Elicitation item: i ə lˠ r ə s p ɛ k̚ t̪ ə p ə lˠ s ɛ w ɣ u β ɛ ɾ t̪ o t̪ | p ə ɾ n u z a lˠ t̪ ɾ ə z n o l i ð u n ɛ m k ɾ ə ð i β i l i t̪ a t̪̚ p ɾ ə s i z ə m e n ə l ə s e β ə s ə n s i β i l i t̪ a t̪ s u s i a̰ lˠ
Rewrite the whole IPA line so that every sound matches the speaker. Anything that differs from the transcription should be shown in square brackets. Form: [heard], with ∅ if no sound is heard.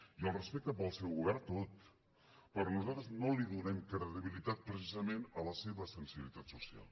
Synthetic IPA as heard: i ə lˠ r ə s p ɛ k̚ t̪ ə p ə lˠ s ɛ w ɣ u β ɛ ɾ t̪ o t̪ | p ə ɾ n u z a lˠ t̪ ɾ ə z n o l i ð u n ɛ m k ɾ ə ð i β i l i t̪ a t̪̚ p ɾ ə s i z ə m e n ə l ə s e β ə s ə n s i β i l i t̪ a t̪ s u s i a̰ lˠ